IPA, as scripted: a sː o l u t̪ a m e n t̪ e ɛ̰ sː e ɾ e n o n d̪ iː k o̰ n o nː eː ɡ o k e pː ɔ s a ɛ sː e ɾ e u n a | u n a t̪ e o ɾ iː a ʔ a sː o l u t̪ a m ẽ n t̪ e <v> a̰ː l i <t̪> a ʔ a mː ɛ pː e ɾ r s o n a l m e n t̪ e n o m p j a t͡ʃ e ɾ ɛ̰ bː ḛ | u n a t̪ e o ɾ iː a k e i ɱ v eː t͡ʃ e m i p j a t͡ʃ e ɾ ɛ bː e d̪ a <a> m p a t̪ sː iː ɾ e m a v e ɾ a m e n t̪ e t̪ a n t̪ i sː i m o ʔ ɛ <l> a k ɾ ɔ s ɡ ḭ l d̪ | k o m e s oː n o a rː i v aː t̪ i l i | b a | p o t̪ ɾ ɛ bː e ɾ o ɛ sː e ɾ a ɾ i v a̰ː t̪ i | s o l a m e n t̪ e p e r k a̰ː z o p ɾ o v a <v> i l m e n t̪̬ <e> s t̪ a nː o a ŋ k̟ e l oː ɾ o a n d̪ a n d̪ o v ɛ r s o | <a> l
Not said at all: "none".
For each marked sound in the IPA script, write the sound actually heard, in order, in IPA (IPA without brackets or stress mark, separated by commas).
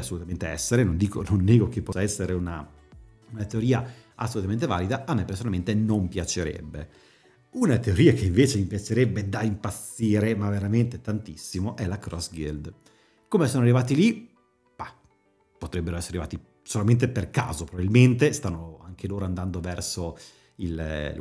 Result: v, d̪, i, l, b, e, i